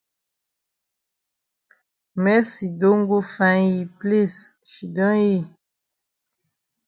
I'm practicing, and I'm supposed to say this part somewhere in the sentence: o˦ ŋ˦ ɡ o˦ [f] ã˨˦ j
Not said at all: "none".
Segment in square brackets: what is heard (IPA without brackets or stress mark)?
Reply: f